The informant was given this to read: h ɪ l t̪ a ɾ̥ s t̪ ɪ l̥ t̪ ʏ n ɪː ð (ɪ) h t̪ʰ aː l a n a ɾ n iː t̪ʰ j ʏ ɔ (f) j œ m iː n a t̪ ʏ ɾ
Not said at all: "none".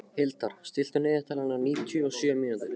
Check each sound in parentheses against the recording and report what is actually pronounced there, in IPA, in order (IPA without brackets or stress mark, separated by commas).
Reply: ɪ, s